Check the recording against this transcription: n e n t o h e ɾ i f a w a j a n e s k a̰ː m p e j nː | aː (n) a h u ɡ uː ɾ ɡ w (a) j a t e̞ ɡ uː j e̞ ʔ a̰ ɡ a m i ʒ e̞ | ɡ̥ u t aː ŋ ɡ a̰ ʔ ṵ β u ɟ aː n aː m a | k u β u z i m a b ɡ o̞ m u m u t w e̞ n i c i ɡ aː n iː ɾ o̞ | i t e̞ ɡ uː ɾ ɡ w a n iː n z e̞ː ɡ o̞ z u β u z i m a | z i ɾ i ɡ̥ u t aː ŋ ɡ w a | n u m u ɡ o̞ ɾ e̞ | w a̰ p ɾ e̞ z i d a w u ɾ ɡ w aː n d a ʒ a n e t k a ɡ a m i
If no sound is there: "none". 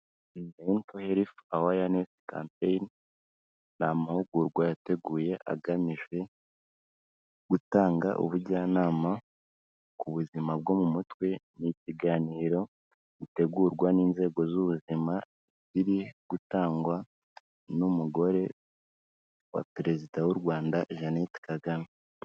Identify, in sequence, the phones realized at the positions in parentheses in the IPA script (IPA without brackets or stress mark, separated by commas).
m, a